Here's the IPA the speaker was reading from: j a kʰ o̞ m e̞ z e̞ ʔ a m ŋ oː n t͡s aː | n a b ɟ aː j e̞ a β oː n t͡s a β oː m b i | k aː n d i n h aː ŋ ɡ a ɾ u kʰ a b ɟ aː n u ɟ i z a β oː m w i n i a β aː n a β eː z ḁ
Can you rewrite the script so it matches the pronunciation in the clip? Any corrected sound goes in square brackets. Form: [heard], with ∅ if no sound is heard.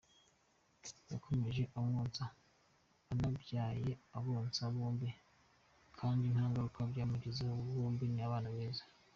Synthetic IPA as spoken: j a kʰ o̞ m e̞ [ʒ] e̞ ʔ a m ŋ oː n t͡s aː | n a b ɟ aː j e̞ a β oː n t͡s a β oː m b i | [kʰ] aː n d i n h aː ŋ ɡ a ɾ u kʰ a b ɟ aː [m] u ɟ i z a β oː m [b] i n i a β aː n a β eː z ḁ